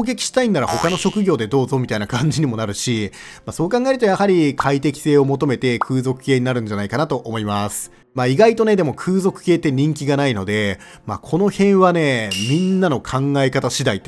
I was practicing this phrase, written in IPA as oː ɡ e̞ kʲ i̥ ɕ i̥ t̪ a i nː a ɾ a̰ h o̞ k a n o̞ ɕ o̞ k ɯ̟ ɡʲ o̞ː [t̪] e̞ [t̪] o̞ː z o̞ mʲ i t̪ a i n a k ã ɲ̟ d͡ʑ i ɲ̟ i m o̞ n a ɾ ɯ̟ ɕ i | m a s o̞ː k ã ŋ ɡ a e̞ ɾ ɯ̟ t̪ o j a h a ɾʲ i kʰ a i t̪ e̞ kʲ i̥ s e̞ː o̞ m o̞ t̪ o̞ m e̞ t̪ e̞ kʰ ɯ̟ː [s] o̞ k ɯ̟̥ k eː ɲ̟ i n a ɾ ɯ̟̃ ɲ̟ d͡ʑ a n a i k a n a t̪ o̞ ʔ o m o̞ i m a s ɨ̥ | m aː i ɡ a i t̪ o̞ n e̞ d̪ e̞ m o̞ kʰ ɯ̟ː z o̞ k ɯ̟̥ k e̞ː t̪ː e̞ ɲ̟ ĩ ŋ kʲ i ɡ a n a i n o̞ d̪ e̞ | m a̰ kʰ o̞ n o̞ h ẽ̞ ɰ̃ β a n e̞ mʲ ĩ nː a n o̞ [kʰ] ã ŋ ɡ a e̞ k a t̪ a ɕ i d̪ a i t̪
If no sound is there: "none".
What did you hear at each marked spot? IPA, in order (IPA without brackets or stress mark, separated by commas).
d̪, d̪, z, kʰ